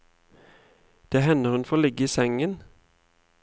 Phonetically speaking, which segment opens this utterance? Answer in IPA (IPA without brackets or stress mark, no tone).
d̪̥